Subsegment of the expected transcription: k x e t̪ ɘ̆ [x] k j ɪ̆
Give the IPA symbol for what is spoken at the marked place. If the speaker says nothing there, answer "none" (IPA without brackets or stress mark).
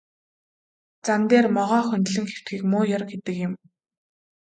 none